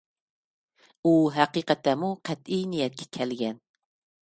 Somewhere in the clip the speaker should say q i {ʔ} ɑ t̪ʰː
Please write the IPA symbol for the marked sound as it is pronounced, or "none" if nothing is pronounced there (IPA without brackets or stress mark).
q